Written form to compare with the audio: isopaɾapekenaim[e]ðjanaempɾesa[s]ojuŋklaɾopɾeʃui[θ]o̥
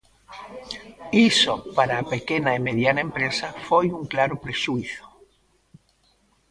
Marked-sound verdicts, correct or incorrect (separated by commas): correct, incorrect, correct